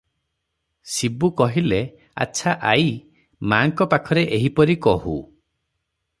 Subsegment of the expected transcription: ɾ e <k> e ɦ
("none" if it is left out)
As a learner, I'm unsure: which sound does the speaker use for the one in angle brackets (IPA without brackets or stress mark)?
ʔ